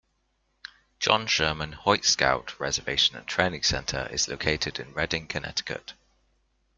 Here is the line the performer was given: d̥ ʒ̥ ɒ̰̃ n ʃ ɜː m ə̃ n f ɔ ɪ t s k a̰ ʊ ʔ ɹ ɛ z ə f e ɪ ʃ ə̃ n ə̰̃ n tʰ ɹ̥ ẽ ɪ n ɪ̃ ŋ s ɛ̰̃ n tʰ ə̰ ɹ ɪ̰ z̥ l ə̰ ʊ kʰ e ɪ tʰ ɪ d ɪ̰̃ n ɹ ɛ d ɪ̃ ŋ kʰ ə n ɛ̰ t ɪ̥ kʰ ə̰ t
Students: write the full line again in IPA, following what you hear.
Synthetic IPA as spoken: d̥ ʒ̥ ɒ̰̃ n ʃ ɜː m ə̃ n h ɔ ɪ t s k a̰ ʊ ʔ ɹ ɛ z ə v e ɪ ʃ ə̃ n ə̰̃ n tʰ ɹ̥ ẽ ɪ n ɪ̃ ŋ s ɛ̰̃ n tʰ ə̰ ɹ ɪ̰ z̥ l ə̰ ʊ kʰ e ɪ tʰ ɪ d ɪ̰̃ n ɹ ɛ d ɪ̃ ŋ kʰ ə n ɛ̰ t ɪ̥ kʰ ə̰ t